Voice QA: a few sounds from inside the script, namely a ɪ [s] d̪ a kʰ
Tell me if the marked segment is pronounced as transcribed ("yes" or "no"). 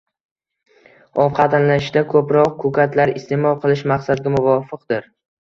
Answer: no